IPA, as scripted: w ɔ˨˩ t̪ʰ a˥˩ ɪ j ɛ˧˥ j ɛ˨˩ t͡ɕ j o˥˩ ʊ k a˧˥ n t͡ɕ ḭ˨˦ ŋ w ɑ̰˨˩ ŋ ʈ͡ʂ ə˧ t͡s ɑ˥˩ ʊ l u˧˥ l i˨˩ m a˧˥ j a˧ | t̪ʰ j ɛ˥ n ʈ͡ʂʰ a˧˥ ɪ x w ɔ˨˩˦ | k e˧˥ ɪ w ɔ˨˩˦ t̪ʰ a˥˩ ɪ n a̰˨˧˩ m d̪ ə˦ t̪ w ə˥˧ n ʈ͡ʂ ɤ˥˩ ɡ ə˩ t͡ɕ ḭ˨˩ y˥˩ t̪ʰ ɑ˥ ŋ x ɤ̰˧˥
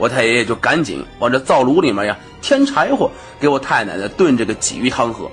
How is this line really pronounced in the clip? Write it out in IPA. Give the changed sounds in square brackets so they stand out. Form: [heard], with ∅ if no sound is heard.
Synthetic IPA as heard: w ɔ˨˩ t̪ʰ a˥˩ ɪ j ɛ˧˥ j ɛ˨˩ t͡ɕ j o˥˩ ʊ k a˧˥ n t͡ɕ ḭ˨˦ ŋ w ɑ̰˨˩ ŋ ʈ͡ʂ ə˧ t͡s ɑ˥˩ ʊ l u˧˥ l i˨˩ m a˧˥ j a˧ | t̪ʰ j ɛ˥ n ʈ͡ʂʰ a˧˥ ɪ x w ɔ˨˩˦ | k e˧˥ ɪ w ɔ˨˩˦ t̪ʰ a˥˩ ɪ n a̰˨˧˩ [n] d̪ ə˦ t̪ w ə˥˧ n ʈ͡ʂ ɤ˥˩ ɡ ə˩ t͡ɕ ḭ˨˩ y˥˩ t̪ʰ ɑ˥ ŋ x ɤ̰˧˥